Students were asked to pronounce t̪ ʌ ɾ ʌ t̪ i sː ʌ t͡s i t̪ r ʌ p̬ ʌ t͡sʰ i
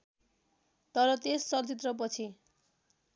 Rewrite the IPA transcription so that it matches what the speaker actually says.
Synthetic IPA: t̪ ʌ ɾ ʌ t̪ e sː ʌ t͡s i t̪ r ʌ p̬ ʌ t͡sʰ i